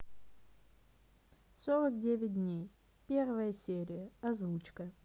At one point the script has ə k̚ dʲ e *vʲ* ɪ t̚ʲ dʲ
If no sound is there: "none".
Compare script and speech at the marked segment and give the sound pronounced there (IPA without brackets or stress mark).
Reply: vʲ